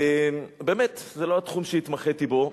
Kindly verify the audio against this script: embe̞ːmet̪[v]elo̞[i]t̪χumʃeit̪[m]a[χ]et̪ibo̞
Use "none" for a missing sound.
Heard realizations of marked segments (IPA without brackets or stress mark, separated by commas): z, a, m, χ